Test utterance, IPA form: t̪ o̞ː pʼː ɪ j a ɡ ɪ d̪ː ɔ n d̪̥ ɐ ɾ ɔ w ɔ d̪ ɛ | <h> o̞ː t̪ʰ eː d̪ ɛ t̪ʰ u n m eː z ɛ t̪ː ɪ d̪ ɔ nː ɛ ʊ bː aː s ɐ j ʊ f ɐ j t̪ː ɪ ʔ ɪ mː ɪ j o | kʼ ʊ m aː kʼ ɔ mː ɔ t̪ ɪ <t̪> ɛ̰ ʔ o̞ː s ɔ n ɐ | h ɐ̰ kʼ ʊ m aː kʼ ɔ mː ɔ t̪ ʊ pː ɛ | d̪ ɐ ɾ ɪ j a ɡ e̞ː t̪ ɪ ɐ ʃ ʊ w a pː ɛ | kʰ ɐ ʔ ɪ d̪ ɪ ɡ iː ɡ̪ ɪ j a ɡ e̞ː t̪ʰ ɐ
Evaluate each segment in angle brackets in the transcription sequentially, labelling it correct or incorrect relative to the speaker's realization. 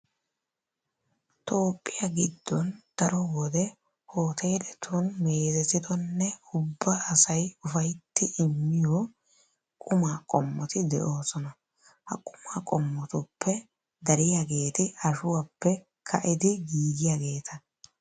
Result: correct, incorrect: d̪

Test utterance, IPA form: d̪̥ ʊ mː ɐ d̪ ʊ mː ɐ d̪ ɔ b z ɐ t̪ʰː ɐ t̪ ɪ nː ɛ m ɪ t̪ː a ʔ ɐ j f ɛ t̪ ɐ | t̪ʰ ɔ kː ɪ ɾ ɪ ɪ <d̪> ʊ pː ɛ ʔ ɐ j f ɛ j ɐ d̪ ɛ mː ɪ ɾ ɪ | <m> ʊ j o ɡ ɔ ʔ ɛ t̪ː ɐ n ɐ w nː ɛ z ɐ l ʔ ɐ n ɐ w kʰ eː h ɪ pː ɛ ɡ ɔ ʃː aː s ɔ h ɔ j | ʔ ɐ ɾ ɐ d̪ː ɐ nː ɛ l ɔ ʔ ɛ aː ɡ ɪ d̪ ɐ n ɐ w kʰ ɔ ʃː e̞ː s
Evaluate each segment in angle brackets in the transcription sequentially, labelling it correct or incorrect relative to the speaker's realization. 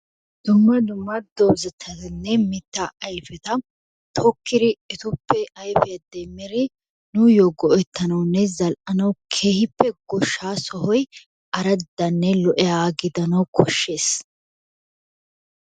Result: incorrect: t̪, incorrect: n

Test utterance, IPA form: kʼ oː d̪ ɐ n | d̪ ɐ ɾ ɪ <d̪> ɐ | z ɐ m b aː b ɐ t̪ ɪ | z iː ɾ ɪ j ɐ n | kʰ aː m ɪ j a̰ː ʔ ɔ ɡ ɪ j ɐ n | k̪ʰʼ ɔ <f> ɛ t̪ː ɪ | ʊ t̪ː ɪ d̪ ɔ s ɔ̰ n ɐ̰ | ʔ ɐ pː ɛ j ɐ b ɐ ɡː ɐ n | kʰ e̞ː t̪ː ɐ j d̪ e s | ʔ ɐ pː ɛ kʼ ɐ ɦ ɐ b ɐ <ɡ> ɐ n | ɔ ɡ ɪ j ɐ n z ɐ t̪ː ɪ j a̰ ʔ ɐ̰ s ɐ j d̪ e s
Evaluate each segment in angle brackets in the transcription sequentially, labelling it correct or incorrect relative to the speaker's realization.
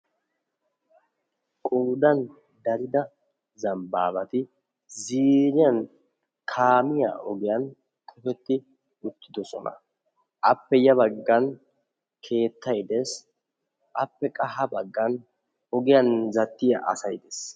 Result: correct, correct, incorrect: ɡː

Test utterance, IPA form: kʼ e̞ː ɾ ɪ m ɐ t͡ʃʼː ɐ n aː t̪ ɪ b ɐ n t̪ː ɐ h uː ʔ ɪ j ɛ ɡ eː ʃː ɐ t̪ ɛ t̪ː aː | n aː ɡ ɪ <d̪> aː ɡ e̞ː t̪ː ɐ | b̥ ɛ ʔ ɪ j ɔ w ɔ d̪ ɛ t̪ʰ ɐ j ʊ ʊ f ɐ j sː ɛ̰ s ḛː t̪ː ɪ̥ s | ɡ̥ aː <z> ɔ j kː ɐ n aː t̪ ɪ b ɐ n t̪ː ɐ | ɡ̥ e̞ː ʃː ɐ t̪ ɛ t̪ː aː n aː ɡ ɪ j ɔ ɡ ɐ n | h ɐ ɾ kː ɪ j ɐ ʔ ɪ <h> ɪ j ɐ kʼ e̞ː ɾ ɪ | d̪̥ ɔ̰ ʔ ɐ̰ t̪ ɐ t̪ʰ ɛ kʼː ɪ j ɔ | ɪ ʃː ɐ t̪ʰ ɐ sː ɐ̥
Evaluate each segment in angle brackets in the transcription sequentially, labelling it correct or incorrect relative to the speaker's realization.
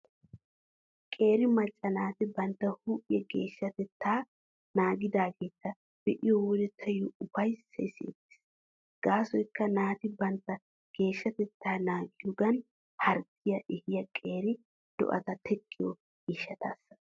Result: correct, incorrect: s, correct

